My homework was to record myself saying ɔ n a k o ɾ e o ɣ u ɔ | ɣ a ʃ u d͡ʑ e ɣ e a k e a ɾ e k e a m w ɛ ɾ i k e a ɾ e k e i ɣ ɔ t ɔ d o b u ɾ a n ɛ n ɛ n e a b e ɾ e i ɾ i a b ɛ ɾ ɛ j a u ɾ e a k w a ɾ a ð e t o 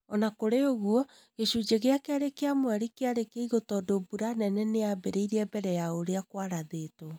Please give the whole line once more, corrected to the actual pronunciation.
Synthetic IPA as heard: ɔ n a k o ɾ e o ɣ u ɔ | ɣ e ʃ u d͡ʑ e ɣ e a k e a ɾ e k e a m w ɛ ɾ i k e a ɾ e k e i ɣ o t ɔ d o b u ɾ a n ɛ n ɛ n e a b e ɾ e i ɾ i ɛ b ɛ ɾ ɛ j a o ɾ e a k w a ɾ a ð e t o